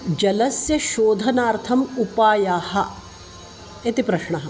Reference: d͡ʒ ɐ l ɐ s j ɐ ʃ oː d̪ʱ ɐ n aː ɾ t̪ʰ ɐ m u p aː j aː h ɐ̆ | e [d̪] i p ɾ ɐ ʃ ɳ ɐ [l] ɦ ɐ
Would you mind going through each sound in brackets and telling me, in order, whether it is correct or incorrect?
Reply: incorrect, incorrect

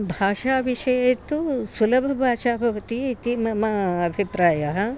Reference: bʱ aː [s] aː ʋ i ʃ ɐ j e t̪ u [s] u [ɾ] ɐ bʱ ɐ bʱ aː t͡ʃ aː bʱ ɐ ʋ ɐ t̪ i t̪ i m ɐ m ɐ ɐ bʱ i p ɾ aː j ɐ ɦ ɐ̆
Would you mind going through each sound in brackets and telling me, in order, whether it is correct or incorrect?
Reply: incorrect, correct, incorrect

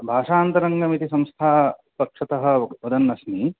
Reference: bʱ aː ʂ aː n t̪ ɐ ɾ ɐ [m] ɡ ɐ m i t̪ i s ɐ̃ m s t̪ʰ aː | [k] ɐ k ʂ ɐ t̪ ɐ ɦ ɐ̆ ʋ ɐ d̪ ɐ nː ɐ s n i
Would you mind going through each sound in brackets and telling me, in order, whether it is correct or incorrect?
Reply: incorrect, incorrect

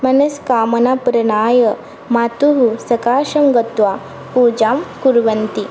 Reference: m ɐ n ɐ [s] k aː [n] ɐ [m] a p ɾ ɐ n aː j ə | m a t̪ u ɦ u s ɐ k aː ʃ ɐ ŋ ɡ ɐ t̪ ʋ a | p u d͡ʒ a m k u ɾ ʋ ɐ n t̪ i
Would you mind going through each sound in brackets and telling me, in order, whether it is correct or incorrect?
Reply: correct, incorrect, incorrect

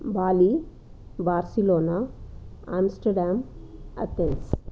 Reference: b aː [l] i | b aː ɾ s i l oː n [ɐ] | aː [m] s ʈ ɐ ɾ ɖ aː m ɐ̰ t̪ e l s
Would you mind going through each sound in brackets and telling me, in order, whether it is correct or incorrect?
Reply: correct, incorrect, correct

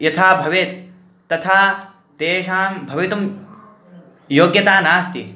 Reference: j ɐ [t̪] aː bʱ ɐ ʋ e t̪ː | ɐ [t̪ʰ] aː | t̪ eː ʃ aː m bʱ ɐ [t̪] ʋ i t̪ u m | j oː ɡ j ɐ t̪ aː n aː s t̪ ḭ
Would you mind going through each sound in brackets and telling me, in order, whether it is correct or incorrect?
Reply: incorrect, correct, incorrect

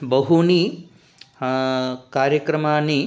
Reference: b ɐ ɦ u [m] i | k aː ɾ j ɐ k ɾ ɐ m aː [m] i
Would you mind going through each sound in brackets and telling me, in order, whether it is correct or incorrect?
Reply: incorrect, incorrect

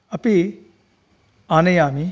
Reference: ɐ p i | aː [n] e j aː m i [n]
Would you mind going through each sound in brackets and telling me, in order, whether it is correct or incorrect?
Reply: correct, incorrect

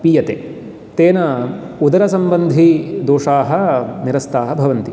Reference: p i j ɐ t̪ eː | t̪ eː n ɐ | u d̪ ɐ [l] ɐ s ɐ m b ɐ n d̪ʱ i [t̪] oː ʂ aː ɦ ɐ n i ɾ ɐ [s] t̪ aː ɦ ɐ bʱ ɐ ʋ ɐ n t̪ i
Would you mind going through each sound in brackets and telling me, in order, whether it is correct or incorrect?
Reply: incorrect, incorrect, correct

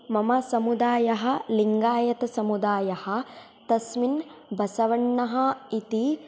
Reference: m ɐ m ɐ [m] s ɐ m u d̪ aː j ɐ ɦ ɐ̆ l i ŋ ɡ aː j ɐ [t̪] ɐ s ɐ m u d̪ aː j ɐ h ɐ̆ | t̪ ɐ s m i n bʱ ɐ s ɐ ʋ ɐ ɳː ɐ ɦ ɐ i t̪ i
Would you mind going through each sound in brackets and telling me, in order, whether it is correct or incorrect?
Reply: incorrect, correct

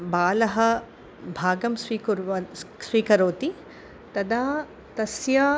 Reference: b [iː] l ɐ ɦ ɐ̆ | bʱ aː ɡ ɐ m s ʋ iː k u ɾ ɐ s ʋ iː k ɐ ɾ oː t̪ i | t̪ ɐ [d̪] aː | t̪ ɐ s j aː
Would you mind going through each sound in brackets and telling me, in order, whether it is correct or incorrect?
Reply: incorrect, correct

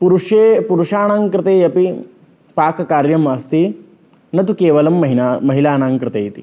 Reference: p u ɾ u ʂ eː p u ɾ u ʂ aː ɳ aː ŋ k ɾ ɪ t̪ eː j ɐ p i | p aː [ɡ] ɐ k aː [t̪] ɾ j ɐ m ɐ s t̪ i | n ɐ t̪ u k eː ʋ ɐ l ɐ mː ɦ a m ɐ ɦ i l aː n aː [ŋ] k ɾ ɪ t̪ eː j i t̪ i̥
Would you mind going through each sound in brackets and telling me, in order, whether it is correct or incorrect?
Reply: incorrect, incorrect, correct

